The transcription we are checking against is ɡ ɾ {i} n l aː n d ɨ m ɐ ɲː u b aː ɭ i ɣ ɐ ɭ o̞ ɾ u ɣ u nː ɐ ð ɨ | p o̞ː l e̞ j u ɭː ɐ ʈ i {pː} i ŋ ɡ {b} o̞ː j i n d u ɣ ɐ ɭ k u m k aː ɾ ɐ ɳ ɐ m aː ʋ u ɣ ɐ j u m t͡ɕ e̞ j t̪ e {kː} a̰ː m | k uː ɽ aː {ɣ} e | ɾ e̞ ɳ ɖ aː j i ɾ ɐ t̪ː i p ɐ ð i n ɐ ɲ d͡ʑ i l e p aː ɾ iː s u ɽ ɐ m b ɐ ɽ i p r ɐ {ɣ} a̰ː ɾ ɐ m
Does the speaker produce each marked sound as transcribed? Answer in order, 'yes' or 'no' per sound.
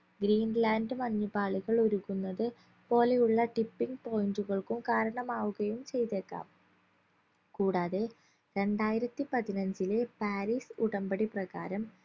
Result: no, yes, no, yes, no, yes

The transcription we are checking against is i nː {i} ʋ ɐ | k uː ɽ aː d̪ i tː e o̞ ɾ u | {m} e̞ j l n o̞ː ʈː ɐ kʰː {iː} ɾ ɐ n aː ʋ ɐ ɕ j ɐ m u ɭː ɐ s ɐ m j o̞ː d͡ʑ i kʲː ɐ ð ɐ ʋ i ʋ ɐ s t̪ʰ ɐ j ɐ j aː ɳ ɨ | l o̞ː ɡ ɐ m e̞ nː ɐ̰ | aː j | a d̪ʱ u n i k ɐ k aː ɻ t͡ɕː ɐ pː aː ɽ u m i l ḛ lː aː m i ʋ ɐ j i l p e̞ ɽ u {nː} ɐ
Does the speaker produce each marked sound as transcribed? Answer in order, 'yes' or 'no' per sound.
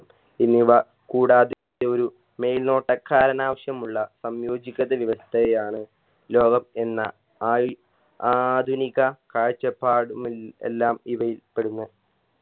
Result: yes, yes, no, yes

